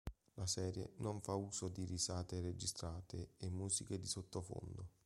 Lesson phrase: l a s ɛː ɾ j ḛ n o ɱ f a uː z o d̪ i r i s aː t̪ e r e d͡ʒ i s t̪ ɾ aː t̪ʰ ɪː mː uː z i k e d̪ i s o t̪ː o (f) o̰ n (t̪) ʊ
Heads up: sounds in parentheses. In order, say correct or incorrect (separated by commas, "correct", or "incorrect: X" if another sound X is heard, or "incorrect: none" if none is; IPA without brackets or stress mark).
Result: correct, incorrect: d̪